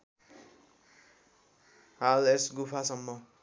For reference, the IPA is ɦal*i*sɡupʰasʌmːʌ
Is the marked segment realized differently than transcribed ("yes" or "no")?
yes